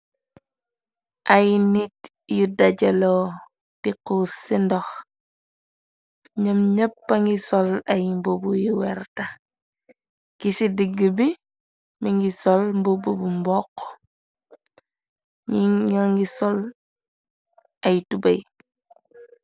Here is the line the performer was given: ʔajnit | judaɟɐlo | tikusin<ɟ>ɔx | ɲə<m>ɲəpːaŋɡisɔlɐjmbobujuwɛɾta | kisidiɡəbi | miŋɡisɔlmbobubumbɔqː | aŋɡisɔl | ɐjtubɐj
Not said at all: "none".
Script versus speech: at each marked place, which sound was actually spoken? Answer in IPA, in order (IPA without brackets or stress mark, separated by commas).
d, m